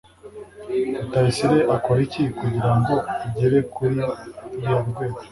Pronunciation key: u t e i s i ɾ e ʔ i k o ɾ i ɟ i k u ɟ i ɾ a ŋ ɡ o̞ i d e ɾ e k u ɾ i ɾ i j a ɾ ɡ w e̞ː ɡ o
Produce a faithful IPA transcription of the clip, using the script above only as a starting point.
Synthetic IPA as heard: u t a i s i ɾ e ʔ a k o ɾ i c i k u ɟ i ɾ a ŋ ɡ o̞ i ɟ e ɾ e k u ɾ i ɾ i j a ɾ ɡ w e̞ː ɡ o